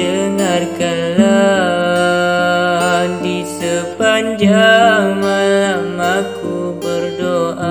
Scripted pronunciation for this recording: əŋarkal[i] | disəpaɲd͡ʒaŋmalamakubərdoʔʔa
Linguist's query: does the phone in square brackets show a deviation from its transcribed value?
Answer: yes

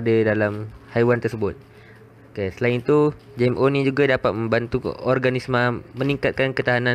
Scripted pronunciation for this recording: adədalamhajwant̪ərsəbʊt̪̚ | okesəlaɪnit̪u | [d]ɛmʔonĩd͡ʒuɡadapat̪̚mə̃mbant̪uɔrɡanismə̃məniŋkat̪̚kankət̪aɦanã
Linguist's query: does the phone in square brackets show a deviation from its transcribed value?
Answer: yes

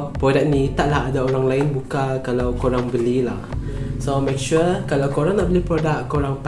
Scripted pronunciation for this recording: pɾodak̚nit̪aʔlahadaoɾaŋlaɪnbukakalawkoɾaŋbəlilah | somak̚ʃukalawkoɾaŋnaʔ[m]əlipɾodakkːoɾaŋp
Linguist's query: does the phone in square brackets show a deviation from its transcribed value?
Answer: yes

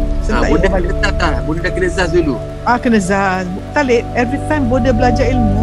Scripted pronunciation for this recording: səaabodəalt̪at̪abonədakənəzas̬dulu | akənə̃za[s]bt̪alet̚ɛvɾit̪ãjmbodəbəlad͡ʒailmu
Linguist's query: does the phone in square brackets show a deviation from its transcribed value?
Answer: no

